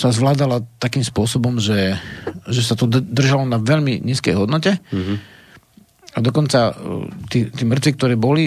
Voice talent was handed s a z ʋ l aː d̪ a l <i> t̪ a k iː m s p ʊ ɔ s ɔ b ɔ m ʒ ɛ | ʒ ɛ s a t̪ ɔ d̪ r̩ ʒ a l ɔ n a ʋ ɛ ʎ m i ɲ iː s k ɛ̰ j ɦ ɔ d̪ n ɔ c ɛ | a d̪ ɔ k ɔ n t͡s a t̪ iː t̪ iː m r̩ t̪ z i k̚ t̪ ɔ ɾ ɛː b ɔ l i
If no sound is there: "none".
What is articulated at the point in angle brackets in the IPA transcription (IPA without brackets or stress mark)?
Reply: a